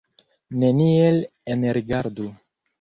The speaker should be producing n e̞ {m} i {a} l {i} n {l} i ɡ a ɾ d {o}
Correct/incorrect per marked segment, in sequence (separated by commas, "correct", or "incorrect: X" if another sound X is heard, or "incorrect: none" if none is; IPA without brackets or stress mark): incorrect: n, incorrect: e, incorrect: e, incorrect: ɾ, incorrect: u